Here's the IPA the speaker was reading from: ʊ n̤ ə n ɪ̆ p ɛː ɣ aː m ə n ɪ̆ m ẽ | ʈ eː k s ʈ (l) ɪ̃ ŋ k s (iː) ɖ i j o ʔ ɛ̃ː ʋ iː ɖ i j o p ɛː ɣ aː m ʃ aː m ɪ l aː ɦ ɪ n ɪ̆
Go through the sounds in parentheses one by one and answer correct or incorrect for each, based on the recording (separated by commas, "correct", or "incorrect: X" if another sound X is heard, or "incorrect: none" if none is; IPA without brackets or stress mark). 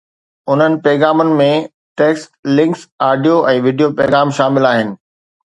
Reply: correct, incorrect: aː